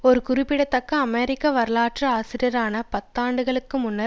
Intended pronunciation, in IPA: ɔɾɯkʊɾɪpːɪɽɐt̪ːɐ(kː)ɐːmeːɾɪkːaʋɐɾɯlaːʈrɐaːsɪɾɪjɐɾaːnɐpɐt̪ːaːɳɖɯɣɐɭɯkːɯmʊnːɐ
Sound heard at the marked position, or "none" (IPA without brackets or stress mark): kː